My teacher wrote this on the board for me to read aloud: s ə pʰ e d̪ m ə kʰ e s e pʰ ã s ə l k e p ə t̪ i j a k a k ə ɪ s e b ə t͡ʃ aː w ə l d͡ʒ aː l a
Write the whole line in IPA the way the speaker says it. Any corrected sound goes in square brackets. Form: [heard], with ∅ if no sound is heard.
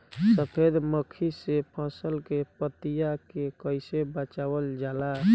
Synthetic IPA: s ə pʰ e d̪ m ə kʰ [i] s e pʰ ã s ə l k e p ə t̪ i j a k [e] k ə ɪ s e b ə t͡ʃ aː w ə l d͡ʒ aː l a